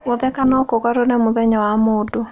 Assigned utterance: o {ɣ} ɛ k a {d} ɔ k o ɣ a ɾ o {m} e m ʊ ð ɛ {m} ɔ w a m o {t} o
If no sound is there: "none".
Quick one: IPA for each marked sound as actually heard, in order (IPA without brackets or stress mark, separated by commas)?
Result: ð, n, n, ɲ, d